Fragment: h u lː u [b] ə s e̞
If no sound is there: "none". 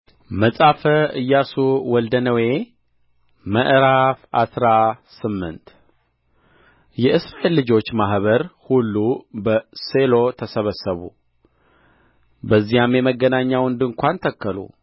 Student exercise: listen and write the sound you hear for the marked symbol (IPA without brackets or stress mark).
b